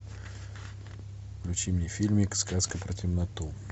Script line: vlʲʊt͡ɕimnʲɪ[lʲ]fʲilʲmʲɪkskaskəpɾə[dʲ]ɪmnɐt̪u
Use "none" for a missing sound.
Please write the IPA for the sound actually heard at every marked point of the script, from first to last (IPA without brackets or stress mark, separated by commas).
none, tʲ